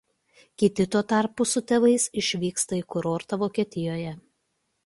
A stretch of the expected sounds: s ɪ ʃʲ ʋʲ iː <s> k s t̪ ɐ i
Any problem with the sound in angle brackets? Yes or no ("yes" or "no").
yes